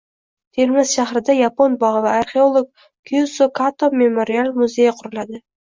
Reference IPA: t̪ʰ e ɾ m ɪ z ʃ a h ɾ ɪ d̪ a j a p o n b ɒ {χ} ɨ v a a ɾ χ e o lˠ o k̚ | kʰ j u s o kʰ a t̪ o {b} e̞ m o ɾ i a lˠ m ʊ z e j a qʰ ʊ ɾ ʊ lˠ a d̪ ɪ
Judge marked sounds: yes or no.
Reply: no, no

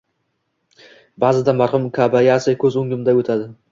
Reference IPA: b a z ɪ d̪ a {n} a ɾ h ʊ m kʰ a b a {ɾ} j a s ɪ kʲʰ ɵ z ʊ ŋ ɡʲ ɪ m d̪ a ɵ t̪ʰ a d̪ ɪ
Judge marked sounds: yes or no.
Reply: no, no

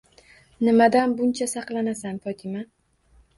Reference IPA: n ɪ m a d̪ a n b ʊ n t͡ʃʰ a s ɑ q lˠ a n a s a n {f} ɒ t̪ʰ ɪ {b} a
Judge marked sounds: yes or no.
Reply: yes, no

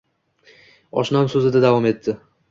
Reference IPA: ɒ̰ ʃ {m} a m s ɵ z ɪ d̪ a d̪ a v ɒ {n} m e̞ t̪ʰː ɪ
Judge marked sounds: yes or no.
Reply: no, no

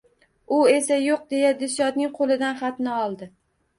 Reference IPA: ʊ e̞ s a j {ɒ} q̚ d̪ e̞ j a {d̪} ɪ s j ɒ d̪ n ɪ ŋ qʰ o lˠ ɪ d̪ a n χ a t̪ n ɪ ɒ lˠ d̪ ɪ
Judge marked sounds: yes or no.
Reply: no, yes

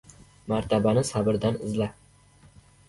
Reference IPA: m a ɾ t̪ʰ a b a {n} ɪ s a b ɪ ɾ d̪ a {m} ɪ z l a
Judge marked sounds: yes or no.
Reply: yes, no

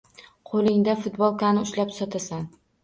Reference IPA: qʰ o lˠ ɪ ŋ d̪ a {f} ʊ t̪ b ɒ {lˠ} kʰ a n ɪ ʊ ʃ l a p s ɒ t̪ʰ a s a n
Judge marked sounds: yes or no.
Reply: yes, yes

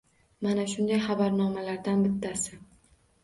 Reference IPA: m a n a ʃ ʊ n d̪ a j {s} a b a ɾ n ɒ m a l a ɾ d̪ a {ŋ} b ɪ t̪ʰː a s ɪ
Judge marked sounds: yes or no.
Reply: no, no

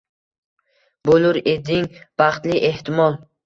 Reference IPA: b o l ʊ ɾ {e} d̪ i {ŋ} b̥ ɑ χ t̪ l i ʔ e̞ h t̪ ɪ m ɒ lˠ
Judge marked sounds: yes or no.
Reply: yes, yes

